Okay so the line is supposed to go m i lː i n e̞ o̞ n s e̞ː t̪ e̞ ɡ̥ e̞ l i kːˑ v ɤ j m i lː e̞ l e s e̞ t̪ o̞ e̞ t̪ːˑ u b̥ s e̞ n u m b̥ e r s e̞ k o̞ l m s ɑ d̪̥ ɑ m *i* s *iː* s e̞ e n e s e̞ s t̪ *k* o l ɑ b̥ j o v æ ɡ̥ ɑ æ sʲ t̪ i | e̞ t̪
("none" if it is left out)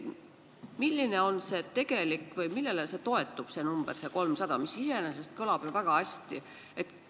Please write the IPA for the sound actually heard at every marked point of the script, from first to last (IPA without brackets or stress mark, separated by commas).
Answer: i, i, k